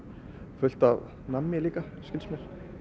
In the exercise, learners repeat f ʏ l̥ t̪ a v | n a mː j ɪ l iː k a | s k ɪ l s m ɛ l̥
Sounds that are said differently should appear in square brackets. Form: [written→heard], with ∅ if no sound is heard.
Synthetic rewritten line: f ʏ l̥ t̪ a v | n a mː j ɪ l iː k a | s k ɪ l s m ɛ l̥